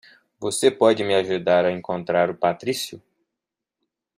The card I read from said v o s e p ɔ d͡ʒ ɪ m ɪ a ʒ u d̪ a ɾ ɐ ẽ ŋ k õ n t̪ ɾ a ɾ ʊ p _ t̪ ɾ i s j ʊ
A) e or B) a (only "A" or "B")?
B